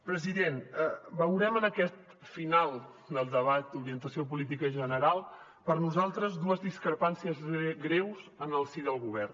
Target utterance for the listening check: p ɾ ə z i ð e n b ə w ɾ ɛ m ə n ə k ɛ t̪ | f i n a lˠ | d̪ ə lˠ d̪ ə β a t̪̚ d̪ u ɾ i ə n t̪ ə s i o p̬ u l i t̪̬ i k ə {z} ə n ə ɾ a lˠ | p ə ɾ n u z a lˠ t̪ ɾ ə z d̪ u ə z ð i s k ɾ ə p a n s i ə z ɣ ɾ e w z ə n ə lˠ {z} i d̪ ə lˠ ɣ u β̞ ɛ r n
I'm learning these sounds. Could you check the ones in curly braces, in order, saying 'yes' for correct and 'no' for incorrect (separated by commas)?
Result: no, no